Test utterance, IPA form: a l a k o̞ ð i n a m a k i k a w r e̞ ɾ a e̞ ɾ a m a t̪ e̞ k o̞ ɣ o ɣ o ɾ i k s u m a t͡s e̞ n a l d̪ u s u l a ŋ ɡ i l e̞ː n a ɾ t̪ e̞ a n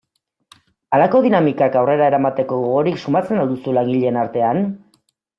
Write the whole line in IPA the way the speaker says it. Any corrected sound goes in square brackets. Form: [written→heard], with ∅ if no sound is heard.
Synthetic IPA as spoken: a l a k o̞ ð i n a m [a→i] k [i→a] k a w r e̞ ɾ a e̞ ɾ a m a t̪ e̞ k o̞ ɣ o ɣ o ɾ i k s u m a t͡s e̞ n a l d̪ u s u l a ŋ ɡ i [l→ʎ] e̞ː n a ɾ t̪ e̞ a n